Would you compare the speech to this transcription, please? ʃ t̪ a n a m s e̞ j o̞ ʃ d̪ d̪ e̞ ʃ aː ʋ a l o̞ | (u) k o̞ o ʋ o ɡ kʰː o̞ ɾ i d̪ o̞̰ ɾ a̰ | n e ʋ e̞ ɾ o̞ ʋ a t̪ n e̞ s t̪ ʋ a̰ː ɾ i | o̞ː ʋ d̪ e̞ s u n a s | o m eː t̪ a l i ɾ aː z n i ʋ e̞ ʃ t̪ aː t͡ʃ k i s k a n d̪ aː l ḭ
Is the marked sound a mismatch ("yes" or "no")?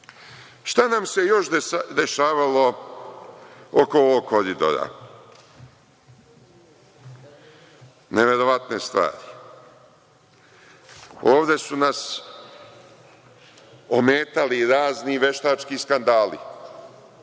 yes